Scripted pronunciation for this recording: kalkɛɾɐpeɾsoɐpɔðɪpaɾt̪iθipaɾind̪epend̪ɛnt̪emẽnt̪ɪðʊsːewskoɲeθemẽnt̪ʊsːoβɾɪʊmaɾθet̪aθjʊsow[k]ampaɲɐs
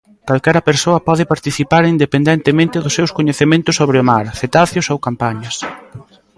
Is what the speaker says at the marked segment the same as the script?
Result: yes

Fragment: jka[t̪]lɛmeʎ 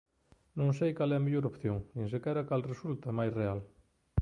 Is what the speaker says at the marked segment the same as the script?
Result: no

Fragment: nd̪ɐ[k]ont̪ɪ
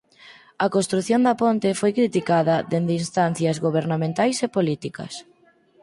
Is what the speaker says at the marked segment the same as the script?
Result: no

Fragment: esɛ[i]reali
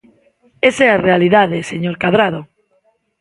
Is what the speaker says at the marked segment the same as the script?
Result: no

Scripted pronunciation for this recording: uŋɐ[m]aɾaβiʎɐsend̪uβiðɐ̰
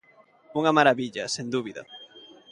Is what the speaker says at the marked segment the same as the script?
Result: yes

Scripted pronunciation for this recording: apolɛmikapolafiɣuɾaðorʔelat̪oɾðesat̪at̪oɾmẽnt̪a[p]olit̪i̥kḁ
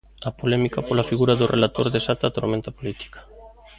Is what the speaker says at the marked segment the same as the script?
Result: yes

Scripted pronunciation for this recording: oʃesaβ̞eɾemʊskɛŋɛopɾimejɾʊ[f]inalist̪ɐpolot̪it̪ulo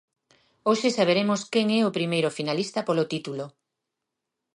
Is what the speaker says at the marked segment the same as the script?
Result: yes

